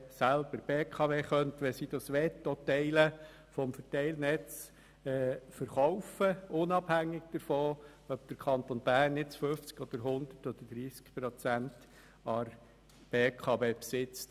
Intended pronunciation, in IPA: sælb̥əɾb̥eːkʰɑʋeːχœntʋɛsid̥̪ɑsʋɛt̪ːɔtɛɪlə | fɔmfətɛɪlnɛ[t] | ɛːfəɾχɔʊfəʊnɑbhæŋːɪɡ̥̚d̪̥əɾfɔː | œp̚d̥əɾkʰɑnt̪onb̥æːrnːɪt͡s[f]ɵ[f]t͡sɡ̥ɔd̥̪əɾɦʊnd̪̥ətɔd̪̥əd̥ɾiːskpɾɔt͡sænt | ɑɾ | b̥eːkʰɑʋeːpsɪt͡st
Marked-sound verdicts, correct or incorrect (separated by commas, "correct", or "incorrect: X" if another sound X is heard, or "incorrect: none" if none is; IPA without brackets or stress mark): incorrect: t͡s, correct, correct